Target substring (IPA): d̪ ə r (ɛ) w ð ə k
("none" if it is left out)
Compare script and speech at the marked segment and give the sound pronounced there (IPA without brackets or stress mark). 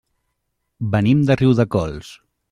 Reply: i